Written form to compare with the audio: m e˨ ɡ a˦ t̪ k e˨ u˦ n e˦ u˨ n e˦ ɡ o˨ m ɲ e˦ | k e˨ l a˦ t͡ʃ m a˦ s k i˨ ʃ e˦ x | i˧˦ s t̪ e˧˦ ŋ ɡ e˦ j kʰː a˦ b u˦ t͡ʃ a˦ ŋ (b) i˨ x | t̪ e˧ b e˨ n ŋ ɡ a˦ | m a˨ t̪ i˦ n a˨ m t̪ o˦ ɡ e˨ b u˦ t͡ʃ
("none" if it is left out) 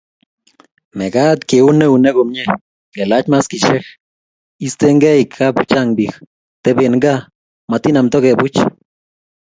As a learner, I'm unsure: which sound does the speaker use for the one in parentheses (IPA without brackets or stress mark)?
b